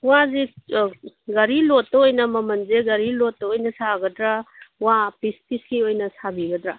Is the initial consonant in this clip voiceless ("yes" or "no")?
no